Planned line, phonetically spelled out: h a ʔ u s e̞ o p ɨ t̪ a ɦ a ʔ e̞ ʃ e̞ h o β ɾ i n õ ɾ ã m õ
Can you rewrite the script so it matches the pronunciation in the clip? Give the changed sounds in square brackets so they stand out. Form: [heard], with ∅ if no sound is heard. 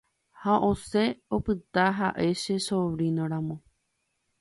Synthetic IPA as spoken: h a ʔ [o] s e̞ o p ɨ t̪ a ɦ a ʔ e̞ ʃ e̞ [s] o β ɾ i n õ ɾ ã m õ